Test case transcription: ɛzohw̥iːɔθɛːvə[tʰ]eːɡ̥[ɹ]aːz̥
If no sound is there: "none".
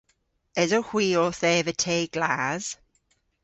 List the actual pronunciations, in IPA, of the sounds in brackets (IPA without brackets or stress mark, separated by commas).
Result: tʰ, l